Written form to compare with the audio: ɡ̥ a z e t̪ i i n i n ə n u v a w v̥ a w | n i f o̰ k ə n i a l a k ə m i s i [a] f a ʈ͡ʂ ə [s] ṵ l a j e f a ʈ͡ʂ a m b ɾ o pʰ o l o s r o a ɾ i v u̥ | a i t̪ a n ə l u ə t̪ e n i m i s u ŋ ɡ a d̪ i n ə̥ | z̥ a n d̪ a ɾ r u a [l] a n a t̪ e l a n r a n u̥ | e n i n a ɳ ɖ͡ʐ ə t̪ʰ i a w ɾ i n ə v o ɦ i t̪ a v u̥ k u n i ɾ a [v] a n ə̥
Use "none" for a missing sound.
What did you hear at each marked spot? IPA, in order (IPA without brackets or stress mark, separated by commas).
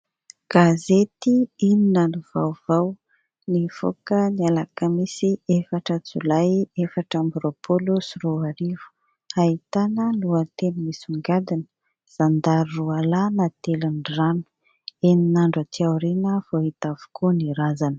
e, t͡s, l, z